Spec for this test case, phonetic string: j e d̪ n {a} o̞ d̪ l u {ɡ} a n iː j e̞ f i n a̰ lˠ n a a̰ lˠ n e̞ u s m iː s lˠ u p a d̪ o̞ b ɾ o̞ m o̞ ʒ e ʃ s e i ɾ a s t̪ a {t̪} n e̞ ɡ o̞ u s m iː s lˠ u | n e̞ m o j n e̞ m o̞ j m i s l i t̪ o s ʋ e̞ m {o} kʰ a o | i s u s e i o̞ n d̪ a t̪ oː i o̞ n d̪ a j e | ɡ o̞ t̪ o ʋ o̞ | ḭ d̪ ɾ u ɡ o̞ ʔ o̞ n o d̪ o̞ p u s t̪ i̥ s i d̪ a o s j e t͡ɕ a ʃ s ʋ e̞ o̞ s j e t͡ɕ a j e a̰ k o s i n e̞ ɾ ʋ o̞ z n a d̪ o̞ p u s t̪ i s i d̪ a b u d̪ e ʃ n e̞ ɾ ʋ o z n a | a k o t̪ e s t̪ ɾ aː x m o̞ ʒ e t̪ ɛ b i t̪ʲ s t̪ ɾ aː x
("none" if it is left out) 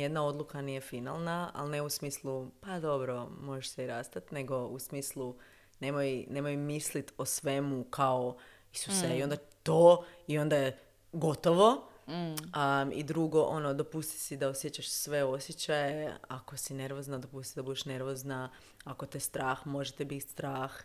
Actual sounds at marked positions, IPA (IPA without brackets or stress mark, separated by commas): a, k, t̪, u